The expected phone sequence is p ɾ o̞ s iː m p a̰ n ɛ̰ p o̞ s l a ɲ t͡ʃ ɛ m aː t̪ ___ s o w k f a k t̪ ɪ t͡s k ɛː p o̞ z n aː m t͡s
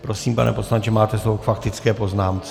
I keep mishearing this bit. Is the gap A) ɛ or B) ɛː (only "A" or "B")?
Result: A